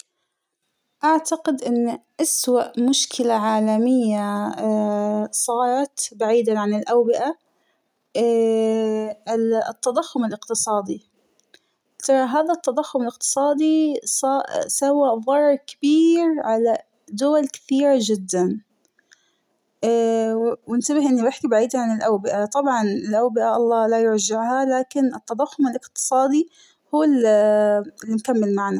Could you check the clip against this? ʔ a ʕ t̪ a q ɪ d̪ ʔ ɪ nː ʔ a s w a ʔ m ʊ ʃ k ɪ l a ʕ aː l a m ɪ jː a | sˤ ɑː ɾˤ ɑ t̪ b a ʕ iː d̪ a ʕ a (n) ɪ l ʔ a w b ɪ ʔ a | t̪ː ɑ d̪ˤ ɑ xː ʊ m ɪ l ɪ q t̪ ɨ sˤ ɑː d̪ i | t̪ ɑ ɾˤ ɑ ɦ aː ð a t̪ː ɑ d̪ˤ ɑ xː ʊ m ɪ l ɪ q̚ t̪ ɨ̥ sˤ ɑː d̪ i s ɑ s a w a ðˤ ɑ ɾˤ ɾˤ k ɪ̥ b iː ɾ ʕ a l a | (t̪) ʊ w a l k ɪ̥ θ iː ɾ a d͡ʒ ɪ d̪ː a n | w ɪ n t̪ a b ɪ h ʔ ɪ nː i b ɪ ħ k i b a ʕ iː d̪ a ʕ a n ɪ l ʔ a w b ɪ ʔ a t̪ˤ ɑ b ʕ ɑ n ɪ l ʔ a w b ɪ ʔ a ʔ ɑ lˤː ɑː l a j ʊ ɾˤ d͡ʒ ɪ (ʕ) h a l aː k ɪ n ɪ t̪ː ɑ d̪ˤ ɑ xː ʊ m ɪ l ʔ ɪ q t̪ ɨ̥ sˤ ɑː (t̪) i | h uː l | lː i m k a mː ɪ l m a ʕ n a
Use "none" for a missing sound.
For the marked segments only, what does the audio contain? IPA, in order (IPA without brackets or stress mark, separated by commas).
n, d̪, ʕ, d̪